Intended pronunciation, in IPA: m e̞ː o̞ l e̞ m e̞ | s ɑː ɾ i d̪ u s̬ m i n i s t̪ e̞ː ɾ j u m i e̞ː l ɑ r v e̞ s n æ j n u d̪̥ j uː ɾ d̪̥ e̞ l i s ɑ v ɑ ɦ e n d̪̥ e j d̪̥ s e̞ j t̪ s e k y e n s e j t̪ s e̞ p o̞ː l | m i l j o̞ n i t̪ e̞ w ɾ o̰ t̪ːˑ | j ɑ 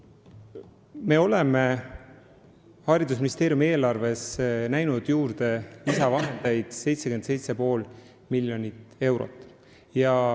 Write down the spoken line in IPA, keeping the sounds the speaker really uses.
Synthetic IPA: m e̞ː o̞ l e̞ m e̞ | h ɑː ɾ i d̪ u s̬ m i n i s t̪ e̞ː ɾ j u m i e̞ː l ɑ r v e̞ s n æ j n u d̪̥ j uː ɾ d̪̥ e̞ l i s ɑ v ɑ ɦ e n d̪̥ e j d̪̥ s e̞ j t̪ s e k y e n s e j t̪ s e̞ p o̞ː l | m i l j o̞ n i t̪ e̞ w ɾ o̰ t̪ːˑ | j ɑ

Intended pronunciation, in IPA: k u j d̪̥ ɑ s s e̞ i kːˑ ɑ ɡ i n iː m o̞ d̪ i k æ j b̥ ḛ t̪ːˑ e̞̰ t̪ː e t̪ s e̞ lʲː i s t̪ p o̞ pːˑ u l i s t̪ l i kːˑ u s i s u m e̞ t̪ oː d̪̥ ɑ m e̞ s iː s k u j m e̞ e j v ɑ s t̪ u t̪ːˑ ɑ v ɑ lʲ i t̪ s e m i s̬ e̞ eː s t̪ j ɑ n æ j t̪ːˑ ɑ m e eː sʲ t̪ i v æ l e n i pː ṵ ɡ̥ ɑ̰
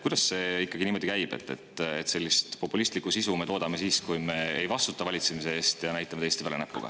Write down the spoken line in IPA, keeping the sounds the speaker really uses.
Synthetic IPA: k u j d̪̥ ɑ s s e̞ i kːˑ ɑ ɡ i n iː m o̞ d̪ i k æ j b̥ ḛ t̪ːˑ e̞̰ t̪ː e t̪ s e̞ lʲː i s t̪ p o̞ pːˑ u l i s t̪ l i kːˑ u s i s u m e̞ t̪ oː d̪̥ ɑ m e̞ s iː s k u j m e̞ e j v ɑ s t̪ u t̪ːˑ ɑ v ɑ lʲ i t̪ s e m i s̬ e̞ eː s t̪ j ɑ n æ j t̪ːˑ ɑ m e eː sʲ t̪ i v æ l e n æ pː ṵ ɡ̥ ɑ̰

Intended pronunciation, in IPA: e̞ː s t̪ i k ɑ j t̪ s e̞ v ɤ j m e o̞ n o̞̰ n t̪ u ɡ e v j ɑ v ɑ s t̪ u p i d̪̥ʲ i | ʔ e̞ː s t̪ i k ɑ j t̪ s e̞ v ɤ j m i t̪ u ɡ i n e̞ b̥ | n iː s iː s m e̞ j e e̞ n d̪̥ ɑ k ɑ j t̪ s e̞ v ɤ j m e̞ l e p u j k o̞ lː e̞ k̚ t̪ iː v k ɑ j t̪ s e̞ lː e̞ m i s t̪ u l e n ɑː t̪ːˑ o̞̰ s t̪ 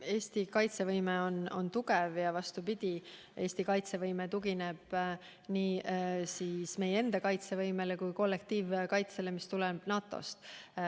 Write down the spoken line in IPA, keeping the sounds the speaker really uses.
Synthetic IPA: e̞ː s t̪ i k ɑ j t̪ s e̞ v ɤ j m e o̞ n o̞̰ n t̪ u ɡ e v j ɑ v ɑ s t̪ u p i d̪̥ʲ i | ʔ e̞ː s t̪ i k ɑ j t̪ s e̞ v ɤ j m e t̪ u ɡ i n e̞ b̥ | n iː s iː s m e̞ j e e̞ n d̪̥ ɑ k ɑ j t̪ s e̞ v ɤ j m e̞ l e k u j k o̞ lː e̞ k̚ t̪ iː v k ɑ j t̪ s e̞ l e̞ m i s t̪ u l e n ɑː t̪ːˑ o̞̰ s t̪

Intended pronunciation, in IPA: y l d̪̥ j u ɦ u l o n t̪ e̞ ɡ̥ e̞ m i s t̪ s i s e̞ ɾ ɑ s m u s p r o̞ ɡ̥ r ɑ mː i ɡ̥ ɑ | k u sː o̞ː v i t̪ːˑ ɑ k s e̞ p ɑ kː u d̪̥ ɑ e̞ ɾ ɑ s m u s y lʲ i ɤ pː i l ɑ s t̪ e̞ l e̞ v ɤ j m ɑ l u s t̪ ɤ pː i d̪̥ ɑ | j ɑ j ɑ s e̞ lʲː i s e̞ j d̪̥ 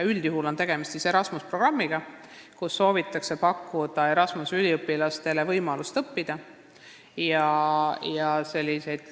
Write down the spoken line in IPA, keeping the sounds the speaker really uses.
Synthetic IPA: y l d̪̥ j u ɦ u l o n t̪ e̞ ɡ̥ e̞ m i s t̪ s i s e̞ ɾ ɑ s m u s p r o̞ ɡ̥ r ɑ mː i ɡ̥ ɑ | k u sː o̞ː v i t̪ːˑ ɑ k s e̞ p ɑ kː u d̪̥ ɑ e̞ ɾ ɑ s m u s y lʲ i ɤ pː i l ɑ s t̪ e̞ l e̞ v ɤ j m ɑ l u s t̪ ɤ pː i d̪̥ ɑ | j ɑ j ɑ s e̞ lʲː i s e̞ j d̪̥

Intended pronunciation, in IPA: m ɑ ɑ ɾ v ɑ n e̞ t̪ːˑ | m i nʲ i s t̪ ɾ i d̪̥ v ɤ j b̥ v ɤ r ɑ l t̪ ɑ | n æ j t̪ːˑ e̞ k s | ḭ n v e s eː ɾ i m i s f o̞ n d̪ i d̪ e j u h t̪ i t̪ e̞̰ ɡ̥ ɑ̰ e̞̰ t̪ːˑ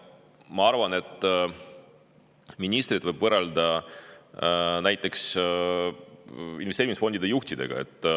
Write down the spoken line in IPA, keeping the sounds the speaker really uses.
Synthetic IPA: m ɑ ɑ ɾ v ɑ n e̞ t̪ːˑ | m i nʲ i s t̪ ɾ i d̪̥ v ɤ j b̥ v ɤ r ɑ l d̪ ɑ | n æ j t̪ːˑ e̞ k s | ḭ n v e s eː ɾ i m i s f o̞ n d̪ i d̪ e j u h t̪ i d̪ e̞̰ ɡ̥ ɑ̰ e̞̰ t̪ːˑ

